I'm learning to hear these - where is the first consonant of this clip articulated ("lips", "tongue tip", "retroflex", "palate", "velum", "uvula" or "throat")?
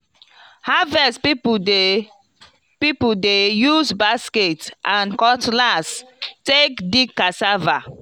throat